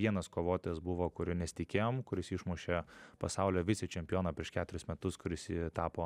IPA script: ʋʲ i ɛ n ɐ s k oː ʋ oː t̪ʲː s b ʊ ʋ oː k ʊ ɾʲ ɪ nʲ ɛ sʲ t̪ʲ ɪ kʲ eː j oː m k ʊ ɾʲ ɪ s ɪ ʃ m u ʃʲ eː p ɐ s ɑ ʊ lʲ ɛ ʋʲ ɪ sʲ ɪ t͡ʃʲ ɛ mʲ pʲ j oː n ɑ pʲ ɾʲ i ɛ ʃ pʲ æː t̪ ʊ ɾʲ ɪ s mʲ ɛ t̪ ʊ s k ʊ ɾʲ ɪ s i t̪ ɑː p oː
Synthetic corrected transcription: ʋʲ i ɛ n ɐ s k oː ʋ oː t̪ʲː s b ʊ ʋ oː k ʊ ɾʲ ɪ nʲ ɛ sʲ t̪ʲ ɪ kʲ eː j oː m k ʊ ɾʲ ɪ s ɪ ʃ m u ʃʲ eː p ɐ s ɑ ʊ lʲ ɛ ʋʲ ɪ sʲ ɪ t͡ʃʲ ɛ mʲ pʲ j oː n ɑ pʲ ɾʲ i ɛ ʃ kʲ æː t̪ ʊ ɾʲ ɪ s mʲ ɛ t̪ ʊ s k ʊ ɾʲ ɪ s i t̪ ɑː p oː